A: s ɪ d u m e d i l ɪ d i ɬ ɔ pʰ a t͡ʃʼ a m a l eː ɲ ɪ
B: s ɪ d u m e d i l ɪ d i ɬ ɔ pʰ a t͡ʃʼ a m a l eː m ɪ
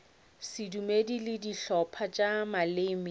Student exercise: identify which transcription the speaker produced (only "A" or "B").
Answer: B